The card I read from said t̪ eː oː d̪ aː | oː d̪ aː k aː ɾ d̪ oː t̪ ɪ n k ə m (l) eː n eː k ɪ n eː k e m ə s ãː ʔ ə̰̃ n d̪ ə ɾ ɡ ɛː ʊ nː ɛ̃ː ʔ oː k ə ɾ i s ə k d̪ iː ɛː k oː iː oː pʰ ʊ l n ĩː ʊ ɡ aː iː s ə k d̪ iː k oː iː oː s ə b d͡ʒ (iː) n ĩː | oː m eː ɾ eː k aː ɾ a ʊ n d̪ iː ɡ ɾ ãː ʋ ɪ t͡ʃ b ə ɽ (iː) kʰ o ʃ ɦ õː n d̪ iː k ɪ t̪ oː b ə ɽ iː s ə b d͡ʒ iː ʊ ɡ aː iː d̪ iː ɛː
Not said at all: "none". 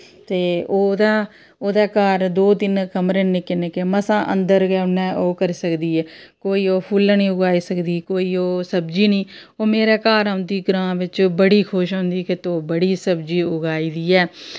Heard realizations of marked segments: ɾ, iː, iː

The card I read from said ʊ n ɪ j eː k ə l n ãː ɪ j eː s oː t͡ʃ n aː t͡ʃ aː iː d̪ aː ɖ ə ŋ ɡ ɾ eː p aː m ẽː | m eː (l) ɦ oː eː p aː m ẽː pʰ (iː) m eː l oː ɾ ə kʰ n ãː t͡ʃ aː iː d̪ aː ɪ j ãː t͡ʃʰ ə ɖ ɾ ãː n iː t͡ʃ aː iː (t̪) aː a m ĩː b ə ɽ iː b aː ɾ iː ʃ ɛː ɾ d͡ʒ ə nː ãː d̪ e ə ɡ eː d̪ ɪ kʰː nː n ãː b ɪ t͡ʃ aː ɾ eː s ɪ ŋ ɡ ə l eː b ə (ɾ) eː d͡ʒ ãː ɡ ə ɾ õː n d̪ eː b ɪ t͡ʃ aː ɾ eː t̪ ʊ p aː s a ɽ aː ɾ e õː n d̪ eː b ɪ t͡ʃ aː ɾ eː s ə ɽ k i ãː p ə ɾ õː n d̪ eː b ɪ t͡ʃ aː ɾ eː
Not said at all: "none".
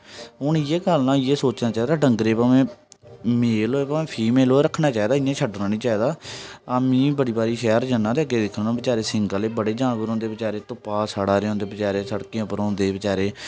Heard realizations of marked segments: l, iː, d̪, ɽ

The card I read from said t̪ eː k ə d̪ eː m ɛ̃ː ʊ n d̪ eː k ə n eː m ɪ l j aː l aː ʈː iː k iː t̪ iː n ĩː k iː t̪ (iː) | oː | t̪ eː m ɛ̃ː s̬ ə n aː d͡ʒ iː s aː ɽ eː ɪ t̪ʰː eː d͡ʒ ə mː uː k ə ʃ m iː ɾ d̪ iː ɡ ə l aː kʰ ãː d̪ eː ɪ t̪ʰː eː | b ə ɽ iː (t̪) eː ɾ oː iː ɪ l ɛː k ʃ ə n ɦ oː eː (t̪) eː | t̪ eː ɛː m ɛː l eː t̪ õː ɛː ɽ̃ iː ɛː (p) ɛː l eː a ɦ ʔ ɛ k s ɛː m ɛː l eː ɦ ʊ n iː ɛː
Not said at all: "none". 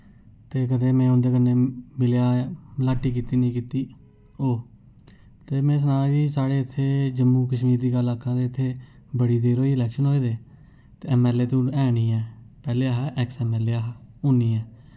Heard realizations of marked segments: iː, d̪, d̪, p

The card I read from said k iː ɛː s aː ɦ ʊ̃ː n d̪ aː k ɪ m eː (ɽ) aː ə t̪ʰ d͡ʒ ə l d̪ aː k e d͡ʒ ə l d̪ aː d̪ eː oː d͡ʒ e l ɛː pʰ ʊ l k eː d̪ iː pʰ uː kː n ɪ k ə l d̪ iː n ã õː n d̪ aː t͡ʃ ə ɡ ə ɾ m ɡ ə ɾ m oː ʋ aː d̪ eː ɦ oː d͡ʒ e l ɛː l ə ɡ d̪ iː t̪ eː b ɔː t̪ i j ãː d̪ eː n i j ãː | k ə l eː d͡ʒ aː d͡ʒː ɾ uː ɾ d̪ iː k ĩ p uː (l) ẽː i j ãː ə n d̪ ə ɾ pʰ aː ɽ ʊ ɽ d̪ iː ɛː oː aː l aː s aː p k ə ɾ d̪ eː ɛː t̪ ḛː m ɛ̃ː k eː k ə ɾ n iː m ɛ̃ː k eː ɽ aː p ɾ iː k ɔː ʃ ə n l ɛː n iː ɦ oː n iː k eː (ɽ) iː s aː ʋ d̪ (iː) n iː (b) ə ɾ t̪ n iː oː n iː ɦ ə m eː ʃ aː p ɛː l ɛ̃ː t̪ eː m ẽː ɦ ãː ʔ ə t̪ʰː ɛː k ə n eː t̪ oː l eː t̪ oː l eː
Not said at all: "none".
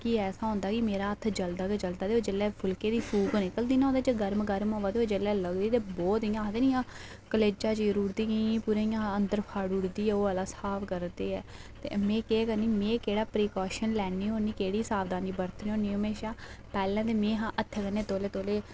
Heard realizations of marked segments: ɾ, ɾ, ɽ, aː, b

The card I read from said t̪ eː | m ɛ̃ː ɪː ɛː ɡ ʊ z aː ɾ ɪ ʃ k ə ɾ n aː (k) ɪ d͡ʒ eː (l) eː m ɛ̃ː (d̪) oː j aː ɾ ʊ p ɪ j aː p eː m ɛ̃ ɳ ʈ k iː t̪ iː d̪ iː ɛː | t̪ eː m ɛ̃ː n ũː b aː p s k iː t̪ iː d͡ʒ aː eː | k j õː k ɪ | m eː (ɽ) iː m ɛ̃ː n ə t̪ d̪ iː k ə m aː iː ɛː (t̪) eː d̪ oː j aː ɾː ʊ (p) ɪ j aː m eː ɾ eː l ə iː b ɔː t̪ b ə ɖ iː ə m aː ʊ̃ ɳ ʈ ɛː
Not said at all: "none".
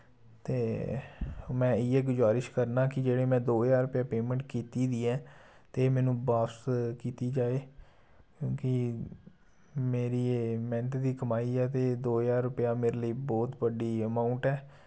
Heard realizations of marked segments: k, ɽ, d̪, ɾ, t̪, p

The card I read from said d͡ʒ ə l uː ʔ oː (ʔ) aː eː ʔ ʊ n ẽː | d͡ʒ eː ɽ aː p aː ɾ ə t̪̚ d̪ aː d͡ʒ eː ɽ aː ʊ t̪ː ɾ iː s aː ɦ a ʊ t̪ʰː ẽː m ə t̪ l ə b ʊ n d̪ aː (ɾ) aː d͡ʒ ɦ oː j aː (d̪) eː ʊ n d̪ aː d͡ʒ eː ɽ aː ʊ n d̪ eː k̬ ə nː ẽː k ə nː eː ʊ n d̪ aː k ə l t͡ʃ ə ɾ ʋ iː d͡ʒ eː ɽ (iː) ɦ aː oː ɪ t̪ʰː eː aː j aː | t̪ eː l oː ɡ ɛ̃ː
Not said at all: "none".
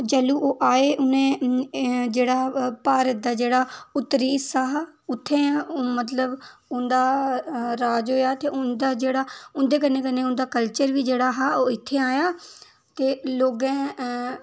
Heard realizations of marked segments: ʔ, ɾ, t̪, aː

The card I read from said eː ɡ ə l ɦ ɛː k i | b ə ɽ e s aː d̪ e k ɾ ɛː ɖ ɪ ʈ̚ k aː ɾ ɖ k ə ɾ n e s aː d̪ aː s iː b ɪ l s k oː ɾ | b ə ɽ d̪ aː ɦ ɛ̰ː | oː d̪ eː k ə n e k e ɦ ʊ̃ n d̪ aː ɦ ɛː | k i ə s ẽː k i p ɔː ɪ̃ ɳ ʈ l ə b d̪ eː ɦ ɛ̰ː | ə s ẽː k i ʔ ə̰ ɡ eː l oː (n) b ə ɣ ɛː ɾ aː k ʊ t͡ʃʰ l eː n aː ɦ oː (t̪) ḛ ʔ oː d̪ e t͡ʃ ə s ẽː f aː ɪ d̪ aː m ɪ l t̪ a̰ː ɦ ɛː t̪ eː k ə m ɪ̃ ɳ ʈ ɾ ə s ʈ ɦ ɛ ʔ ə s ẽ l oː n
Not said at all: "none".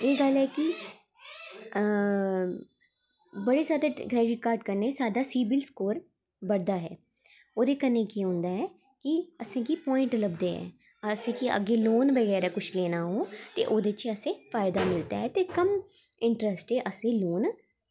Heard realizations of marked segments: n, t̪

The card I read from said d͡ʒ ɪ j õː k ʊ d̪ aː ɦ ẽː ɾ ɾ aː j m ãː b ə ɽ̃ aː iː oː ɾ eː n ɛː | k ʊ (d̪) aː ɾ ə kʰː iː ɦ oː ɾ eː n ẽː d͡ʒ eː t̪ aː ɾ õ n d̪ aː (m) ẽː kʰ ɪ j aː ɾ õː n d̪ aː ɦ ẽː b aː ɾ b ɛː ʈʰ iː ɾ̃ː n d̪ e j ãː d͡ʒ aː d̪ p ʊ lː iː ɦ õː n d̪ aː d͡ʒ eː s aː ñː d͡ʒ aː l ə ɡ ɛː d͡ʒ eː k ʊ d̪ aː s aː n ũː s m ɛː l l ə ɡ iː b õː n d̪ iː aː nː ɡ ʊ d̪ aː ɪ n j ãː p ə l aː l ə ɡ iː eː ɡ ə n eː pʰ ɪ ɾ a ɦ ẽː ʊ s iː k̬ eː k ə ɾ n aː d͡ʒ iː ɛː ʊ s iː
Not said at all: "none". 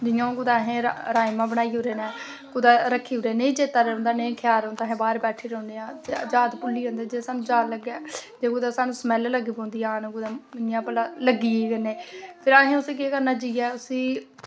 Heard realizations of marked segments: d̪, n

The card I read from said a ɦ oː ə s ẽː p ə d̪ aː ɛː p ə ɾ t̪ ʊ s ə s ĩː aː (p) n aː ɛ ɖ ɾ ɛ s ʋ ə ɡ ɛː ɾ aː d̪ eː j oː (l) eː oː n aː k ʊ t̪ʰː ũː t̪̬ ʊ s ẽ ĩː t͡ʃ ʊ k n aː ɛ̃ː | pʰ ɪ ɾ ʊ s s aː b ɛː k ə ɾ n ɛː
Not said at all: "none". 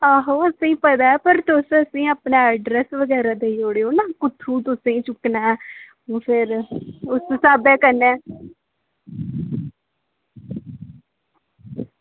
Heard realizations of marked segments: p, ɽ

